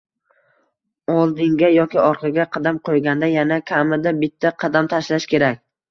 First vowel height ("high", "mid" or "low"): low